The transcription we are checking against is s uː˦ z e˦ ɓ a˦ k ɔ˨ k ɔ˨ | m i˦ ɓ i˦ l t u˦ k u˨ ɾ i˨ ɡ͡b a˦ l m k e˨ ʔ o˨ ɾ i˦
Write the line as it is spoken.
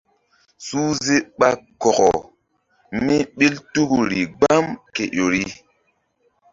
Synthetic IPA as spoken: s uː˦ z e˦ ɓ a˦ k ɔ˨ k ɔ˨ | m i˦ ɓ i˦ l t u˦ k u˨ ɾ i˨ ɡ͡b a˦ m k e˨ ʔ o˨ ɾ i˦